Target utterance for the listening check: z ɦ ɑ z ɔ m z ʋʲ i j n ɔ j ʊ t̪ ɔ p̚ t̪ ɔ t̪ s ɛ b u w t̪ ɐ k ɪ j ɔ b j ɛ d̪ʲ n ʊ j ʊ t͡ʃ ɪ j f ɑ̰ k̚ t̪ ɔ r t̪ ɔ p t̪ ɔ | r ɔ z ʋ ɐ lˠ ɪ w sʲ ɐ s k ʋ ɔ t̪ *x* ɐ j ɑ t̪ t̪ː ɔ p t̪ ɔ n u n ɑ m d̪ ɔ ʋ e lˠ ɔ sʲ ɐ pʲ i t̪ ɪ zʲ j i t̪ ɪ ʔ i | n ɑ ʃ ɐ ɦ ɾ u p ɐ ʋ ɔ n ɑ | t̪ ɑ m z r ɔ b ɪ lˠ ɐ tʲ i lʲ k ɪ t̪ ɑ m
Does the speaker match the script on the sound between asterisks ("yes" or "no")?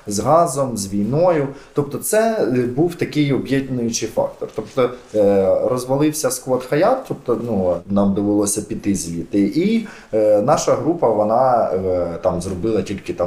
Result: yes